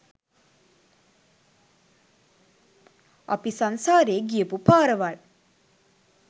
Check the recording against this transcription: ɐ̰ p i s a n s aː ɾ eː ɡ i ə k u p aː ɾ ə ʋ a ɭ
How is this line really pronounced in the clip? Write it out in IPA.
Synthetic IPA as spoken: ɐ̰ p i s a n s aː ɾ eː ɡ i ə p u p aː ɾ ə ʋ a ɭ

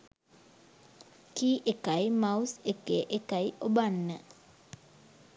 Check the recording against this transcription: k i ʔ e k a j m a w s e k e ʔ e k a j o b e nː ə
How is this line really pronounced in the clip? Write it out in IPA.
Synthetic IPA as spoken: k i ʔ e k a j m a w s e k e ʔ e k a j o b a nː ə

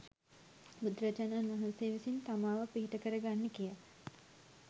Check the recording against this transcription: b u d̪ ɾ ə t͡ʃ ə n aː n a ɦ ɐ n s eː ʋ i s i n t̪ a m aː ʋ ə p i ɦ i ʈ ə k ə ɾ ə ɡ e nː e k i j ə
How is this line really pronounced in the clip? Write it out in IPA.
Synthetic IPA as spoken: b u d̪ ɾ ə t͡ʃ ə n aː n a ɦ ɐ n s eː ʋ i s i n t̪ a m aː ʋ ə p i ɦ i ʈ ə k ə ɾ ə ɡ a nː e k i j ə

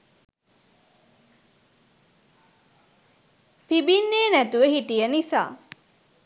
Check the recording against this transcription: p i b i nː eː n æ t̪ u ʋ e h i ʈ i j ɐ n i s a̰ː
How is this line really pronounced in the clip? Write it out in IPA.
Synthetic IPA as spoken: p i b i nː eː n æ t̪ u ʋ e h i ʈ i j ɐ n i s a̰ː

